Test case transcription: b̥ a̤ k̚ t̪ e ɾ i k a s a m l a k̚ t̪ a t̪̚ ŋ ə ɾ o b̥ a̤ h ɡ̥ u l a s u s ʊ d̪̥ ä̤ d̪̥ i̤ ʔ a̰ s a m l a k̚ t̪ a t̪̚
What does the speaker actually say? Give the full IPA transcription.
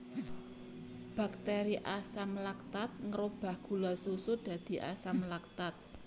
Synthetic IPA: b̥ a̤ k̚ t̪ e ɾ i ʔ a s a m l a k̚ t̪ a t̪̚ ŋ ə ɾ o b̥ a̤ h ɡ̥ u l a s u s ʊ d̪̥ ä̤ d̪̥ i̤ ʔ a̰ s a m l a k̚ t̪ a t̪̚